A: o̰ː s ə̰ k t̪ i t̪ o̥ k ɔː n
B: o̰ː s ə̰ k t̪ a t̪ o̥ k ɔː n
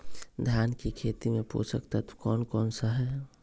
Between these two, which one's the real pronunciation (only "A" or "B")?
B